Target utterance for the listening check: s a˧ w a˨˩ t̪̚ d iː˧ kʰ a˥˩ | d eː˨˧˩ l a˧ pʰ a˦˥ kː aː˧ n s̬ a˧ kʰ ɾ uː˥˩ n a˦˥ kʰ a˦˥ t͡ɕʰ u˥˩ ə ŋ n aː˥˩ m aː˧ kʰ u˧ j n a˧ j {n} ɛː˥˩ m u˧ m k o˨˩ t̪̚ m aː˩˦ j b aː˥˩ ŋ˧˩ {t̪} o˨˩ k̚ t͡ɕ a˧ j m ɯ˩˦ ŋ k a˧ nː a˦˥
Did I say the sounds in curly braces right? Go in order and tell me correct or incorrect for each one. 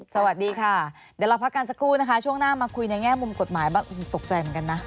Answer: incorrect: ŋ, correct

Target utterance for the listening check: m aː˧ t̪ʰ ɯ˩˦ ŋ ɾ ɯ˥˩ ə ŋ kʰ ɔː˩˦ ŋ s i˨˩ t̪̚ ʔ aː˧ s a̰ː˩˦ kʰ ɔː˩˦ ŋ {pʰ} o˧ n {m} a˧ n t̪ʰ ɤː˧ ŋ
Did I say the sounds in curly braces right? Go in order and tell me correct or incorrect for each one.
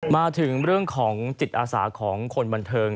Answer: incorrect: kʰ, incorrect: b

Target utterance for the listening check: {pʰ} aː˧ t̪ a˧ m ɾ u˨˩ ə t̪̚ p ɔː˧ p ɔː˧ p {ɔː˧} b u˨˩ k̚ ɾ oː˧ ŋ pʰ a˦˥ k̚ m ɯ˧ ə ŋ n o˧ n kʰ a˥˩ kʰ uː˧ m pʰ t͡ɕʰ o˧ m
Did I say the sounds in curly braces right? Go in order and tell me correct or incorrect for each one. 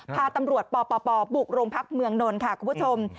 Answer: correct, correct

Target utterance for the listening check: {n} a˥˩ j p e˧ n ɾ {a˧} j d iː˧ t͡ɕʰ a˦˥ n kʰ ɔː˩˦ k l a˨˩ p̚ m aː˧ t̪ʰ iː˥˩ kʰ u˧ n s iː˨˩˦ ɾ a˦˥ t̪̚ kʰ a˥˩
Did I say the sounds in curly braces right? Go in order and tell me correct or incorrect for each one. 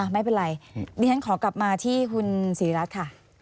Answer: incorrect: m, correct

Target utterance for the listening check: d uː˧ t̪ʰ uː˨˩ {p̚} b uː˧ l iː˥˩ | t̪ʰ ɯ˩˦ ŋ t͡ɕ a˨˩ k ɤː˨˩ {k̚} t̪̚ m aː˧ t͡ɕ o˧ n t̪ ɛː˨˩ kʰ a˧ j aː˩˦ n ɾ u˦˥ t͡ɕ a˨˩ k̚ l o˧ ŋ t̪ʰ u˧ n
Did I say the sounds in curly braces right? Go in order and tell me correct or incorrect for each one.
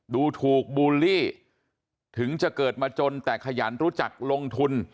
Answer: incorrect: k̚, incorrect: none

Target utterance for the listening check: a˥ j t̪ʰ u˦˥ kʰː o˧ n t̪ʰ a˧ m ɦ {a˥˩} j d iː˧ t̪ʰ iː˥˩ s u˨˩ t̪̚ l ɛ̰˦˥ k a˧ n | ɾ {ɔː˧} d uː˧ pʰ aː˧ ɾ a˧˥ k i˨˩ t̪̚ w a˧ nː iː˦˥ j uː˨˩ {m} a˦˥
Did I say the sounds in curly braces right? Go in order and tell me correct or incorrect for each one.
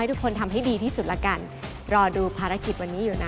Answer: correct, correct, incorrect: n

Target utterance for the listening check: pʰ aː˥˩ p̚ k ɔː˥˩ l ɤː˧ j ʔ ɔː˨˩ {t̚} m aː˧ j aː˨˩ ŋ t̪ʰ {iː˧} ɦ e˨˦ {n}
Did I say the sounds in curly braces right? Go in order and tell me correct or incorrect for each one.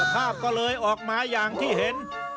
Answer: incorrect: k̚, incorrect: iː˥˩, correct

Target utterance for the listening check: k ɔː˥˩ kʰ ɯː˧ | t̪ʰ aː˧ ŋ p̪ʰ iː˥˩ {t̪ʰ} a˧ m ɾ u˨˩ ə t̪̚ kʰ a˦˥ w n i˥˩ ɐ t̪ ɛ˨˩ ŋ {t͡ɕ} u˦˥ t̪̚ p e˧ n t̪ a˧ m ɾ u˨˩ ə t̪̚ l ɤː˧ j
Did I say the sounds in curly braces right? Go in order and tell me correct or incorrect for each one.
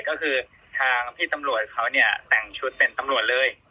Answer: incorrect: t̪, incorrect: t͡ɕʰ

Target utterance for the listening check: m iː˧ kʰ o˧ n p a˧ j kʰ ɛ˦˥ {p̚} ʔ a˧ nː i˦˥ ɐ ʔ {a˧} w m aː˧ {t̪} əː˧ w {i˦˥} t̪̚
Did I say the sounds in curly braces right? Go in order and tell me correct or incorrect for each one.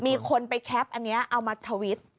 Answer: correct, correct, incorrect: t̪ʰ, correct

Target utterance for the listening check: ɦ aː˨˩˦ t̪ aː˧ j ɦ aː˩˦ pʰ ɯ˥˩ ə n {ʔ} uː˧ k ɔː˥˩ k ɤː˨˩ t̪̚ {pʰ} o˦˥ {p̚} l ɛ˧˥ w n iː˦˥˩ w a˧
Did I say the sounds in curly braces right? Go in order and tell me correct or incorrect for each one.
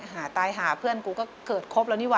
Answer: incorrect: k, incorrect: kʰ, correct

